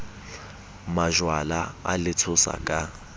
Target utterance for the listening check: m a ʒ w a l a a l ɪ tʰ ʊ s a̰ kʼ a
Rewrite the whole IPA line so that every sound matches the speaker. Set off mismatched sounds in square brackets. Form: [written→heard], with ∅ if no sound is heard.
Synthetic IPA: m a ʒ w a l a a l ɪ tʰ ʊ s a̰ kʼ a